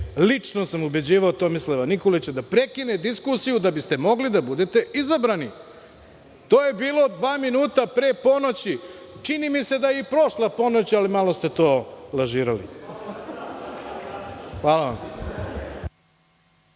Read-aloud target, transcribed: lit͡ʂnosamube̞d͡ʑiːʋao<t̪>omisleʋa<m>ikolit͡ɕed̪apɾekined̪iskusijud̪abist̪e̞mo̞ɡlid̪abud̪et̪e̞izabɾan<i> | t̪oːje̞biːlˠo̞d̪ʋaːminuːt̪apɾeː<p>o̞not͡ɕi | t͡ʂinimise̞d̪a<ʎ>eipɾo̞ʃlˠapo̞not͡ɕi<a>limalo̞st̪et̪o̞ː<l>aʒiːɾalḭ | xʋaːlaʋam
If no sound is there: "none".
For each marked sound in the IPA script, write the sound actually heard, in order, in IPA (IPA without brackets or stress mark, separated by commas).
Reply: t̪, n, i, p, j, a, l